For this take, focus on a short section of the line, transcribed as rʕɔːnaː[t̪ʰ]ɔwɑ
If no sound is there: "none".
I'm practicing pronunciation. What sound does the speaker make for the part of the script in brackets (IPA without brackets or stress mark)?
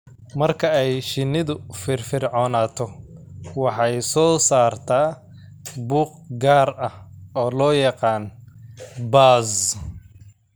t̪ʰ